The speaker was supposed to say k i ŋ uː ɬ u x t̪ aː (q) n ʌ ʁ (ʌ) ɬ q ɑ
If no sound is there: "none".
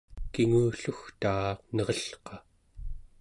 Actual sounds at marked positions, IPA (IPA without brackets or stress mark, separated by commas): q, ʌ